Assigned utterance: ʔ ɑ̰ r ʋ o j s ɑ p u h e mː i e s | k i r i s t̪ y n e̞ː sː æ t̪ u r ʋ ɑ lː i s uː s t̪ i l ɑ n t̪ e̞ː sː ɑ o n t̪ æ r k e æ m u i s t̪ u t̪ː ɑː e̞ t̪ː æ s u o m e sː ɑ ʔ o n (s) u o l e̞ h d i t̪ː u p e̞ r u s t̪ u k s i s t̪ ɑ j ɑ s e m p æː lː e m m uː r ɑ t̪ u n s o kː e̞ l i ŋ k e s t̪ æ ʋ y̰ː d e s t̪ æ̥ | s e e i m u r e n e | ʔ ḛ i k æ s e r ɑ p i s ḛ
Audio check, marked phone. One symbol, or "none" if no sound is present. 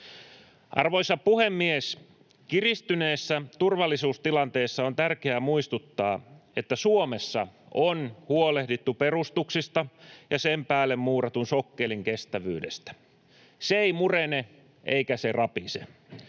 h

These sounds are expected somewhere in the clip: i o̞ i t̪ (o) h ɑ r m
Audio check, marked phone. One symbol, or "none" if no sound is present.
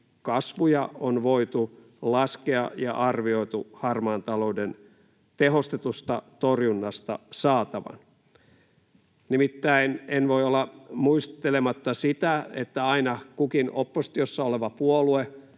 u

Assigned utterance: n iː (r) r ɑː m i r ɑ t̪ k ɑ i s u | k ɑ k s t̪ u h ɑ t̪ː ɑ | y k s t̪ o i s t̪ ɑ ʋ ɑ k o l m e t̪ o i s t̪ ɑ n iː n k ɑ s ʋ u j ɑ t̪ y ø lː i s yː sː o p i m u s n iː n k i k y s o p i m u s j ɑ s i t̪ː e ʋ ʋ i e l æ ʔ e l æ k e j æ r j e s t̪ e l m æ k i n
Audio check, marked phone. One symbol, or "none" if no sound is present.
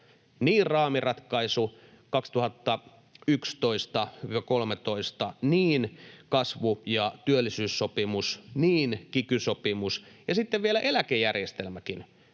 r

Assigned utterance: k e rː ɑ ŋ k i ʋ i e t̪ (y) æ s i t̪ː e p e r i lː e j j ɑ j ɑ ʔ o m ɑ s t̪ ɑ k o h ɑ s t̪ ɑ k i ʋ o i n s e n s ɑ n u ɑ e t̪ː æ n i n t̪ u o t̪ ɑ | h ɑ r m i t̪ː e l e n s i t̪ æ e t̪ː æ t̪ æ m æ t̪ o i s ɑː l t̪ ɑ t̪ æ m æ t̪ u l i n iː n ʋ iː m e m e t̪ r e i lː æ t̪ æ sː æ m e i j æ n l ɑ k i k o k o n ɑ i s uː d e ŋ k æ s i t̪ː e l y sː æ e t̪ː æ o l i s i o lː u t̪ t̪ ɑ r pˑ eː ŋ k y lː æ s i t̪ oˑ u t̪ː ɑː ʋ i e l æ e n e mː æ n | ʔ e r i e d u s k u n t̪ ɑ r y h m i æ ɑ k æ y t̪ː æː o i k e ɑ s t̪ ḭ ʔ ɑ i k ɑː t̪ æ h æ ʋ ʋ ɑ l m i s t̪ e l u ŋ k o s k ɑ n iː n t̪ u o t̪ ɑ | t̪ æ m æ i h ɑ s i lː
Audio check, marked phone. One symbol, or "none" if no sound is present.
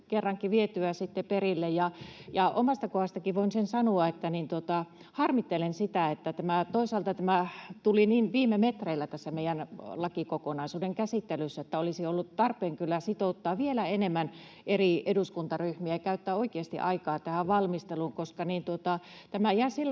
y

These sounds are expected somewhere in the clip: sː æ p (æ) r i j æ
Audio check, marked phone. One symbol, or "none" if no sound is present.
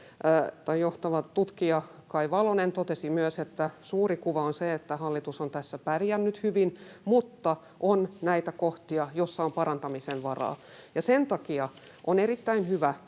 æ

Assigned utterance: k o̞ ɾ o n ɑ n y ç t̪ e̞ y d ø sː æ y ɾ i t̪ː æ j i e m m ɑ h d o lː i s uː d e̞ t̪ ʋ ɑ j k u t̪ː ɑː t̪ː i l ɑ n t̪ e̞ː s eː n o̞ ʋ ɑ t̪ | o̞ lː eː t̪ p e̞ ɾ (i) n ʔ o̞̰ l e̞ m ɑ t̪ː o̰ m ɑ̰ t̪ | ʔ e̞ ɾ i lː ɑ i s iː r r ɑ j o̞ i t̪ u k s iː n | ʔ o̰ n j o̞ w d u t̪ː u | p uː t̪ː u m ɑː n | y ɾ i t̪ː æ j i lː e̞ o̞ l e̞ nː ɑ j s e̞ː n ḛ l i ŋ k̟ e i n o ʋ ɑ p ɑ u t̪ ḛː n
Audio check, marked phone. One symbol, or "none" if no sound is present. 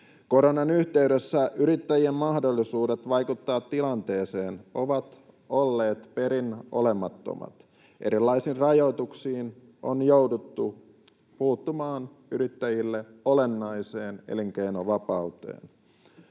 i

